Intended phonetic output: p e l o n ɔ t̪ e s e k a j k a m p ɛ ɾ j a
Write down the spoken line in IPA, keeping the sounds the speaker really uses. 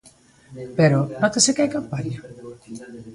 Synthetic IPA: p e ɾ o n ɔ t̪ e s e k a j k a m p a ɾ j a